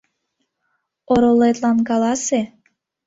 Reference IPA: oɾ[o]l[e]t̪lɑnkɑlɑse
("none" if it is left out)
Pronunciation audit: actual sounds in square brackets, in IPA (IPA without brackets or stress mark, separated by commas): o, e